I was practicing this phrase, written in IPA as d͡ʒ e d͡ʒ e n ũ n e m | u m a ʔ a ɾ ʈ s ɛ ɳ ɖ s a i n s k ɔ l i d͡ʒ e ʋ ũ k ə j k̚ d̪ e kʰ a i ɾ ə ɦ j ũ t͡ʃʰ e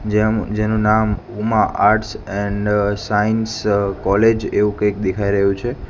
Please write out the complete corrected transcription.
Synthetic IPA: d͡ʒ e d͡ʒ e n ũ n a m | u m a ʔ a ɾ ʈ s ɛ ɳ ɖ s a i n s k ɔ l e d͡ʒ e ʋ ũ k ə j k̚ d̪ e kʰ a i ɾ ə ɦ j ũ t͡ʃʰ e

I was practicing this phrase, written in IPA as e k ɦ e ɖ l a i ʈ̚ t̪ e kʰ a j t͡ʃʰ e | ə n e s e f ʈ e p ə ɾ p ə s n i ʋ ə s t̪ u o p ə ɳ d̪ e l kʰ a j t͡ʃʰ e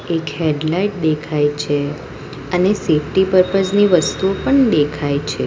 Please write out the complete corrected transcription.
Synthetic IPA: e k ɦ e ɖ l a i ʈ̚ d̪ e kʰ a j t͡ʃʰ e | ə n e s e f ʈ i p ə ɾ p ə s n i ʋ ə s t̪ u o p ə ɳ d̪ e kʰ a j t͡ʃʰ e

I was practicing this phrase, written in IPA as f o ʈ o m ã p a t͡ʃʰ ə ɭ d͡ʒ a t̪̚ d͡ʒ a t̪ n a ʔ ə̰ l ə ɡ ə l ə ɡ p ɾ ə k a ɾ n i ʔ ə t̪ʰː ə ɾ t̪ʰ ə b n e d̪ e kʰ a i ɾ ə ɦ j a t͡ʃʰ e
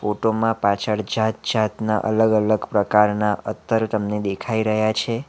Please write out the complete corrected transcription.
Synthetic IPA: f o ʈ o m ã p a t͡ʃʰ ə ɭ d͡ʒ a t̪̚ d͡ʒ a t̪ n a ʔ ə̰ l ə ɡ ə l ə ɡ p ɾ ə k a ɾ n a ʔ ə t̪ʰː ə ɾ t̪ ə m n e d̪ e kʰ a i ɾ ə ɦ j a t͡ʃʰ e

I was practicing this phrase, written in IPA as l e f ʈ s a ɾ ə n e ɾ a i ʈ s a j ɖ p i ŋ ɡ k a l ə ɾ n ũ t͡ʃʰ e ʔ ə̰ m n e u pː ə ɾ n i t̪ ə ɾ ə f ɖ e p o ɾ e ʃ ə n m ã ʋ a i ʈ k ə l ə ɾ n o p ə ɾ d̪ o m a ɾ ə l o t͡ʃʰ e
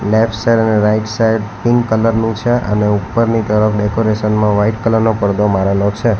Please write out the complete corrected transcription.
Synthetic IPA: l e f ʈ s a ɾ ə n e ɾ a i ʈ s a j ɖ p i ŋ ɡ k ə l ə ɾ n ũ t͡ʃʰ e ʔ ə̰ n e u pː ə ɾ n i t̪ ə ɾ ə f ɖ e k o ɾ e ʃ ə n m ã ʋ a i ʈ k ə l ə ɾ n o p ə ɾ d̪ o m a ɾ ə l o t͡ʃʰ e

